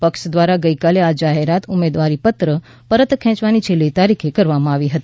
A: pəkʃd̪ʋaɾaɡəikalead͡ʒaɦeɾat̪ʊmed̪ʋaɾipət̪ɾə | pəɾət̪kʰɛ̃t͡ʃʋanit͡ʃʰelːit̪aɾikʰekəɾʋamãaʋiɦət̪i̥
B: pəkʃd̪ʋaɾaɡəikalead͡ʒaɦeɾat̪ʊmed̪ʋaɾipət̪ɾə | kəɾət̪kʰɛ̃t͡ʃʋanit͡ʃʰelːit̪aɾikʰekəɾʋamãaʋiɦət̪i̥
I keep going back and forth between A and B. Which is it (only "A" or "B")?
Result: A